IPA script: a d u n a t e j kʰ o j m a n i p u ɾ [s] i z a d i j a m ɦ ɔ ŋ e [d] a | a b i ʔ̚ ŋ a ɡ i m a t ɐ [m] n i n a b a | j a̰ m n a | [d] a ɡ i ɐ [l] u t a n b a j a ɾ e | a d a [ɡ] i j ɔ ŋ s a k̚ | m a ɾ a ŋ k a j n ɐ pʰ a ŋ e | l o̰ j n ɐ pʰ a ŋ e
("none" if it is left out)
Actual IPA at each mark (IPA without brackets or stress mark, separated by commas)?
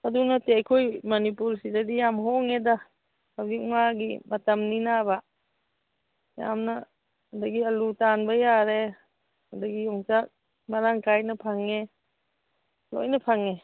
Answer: s, d, m, d, l, ɡ